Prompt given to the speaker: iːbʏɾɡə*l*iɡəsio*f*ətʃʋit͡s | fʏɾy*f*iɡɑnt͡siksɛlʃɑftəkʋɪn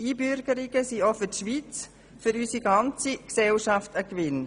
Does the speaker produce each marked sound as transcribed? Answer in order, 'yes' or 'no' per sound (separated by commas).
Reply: no, yes, no